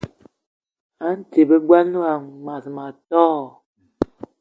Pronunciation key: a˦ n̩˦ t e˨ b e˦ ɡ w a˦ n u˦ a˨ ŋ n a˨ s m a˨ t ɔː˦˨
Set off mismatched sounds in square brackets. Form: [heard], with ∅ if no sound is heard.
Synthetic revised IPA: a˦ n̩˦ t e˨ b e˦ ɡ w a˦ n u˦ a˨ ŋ [m] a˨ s m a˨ t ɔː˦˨